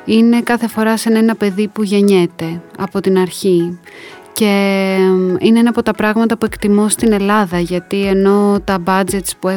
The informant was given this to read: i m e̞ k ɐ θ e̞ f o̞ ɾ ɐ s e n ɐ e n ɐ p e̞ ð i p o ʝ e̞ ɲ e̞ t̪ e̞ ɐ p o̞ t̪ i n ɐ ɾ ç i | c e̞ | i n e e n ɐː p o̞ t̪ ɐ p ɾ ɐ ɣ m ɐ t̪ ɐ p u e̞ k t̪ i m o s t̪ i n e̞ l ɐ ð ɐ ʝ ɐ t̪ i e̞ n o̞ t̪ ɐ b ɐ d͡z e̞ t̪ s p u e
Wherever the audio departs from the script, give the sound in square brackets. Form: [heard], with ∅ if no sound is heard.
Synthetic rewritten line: i [n] e̞ k ɐ θ e̞ f o̞ ɾ ɐ s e n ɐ e n ɐ p e̞ ð i p [u] ʝ e̞ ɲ e̞ t̪ e̞ ɐ p o̞ t̪ i n ɐ ɾ ç i | c e̞ | i n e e n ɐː p o̞ t̪ ɐ p ɾ ɐ ɣ m ɐ t̪ ɐ p u e̞ k t̪ i m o s t̪ i n e̞ l ɐ ð ɐ ʝ ɐ t̪ i e̞ n o̞ t̪ ɐ b ɐ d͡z e̞ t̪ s p u e